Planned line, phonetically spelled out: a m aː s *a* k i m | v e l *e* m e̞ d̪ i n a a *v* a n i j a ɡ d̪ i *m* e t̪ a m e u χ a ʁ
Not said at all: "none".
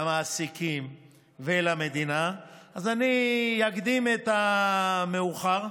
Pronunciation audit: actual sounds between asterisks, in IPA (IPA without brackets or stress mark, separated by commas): i, a, z, m